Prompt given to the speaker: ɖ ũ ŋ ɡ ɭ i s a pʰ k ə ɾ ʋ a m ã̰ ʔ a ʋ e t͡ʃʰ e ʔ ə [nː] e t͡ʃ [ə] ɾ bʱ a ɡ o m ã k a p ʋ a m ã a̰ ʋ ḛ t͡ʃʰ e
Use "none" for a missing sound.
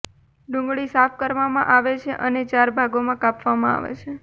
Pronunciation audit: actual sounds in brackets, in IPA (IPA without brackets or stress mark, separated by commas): n, a